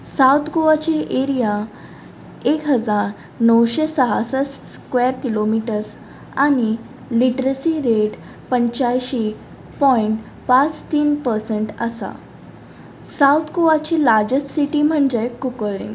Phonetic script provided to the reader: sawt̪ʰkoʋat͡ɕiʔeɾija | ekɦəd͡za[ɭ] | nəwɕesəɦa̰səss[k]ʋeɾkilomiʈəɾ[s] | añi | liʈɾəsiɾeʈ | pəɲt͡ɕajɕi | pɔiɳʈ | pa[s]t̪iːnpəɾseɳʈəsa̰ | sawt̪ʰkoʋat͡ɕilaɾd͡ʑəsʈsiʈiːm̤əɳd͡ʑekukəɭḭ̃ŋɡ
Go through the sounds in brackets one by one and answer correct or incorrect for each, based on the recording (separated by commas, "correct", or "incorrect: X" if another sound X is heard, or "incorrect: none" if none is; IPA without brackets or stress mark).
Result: incorrect: ɾ, correct, correct, incorrect: t͡s